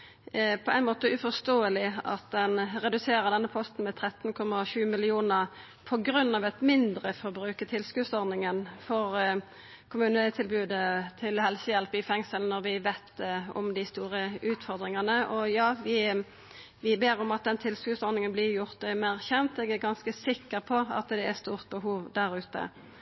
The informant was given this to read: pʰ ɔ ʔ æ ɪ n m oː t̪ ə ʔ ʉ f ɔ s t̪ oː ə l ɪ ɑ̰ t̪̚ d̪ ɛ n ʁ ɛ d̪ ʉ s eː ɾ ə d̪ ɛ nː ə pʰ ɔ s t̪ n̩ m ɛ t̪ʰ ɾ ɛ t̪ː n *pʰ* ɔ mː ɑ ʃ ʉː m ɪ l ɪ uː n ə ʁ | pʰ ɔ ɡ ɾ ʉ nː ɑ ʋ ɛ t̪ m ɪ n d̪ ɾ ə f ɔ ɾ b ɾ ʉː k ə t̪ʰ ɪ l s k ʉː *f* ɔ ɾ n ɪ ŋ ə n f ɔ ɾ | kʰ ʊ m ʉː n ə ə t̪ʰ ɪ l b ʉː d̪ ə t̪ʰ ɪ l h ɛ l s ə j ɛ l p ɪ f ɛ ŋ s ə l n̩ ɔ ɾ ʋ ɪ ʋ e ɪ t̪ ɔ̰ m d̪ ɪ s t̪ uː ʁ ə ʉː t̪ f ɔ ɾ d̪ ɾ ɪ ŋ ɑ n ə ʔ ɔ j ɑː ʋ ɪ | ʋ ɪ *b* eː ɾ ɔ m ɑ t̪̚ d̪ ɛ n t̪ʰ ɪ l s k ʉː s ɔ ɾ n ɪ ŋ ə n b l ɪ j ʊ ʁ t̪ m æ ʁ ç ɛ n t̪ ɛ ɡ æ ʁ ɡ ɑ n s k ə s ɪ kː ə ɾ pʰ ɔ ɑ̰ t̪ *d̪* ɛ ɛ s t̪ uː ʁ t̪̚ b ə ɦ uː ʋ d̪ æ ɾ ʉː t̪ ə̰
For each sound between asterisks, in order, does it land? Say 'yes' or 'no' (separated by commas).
no, no, yes, yes